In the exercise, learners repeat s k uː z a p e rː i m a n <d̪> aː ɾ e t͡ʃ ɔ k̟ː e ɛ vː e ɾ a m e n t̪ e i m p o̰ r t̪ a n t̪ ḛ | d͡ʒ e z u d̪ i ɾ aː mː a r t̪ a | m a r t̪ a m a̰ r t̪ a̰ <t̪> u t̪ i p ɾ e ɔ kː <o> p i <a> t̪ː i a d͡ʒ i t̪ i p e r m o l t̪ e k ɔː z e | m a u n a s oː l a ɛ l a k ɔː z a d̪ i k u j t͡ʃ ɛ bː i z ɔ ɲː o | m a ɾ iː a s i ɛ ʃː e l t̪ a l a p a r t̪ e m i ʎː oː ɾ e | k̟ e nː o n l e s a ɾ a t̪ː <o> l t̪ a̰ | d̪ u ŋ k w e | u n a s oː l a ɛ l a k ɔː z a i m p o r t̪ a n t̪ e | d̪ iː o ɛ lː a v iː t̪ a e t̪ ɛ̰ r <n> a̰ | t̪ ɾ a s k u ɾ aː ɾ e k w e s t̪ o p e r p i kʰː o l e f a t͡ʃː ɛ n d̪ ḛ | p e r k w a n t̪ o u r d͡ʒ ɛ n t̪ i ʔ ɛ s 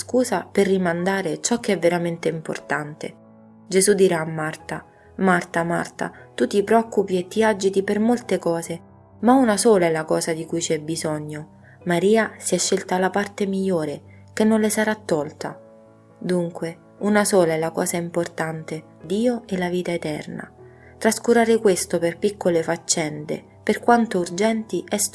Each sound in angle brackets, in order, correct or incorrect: correct, correct, incorrect: u, incorrect: e, incorrect: ɔ, correct

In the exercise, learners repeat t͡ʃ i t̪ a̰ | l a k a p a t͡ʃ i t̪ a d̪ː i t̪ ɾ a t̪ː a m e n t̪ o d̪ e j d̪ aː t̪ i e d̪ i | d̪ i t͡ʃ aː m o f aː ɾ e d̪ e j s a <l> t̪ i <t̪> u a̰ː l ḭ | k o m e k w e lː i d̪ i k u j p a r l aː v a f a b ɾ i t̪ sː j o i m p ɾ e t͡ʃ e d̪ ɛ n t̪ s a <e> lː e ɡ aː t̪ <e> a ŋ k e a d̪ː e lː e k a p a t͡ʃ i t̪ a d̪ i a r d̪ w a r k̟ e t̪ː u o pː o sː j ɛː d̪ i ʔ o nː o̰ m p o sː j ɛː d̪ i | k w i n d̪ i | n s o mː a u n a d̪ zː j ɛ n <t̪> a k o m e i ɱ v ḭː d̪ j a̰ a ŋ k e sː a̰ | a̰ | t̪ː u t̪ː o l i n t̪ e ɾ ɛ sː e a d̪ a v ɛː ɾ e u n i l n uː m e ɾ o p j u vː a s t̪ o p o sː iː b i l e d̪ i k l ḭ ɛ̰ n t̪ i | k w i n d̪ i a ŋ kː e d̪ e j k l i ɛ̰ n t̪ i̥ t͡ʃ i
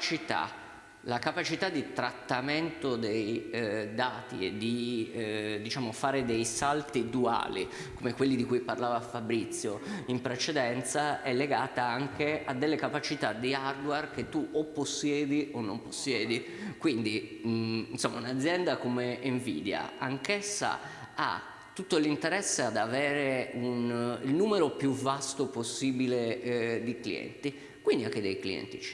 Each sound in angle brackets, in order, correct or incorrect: correct, incorrect: d̪, incorrect: ɛ, incorrect: a, incorrect: d̪

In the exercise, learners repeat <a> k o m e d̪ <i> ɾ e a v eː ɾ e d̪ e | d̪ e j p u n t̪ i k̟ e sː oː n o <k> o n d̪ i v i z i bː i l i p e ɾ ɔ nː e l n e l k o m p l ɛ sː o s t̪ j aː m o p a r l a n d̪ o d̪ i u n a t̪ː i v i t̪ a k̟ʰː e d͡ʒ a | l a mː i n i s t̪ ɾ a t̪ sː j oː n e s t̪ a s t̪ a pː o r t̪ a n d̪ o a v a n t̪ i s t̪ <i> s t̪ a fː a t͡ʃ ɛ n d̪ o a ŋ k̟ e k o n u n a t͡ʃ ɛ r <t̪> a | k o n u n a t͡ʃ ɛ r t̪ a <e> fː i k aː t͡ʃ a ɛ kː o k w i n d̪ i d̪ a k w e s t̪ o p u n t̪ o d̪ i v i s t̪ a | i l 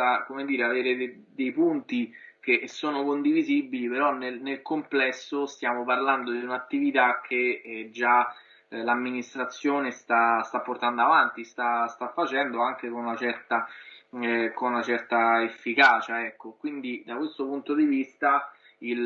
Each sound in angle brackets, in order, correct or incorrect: correct, incorrect: iː, correct, incorrect: a, correct, correct

